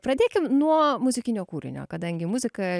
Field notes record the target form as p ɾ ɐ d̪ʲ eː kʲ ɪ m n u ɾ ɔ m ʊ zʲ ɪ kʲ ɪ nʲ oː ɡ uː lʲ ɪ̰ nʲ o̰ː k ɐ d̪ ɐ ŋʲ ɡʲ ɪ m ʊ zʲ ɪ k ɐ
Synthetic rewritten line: p ɾ ɐ d̪ʲ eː kʲ ɪ m n u ɔ m ʊ zʲ ɪ kʲ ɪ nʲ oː k uː ɾʲ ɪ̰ nʲ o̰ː k ɐ d̪ ɐ ŋʲ ɡʲ ɪ m ʊ zʲ ɪ k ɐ